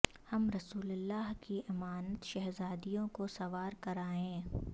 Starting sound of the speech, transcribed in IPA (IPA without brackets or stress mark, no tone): h